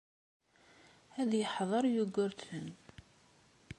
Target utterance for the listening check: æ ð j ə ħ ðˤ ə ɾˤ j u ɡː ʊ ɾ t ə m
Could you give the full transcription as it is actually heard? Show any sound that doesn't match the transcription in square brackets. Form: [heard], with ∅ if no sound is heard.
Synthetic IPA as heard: æ ð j ə ħ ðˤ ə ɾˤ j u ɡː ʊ ɾ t ə [n]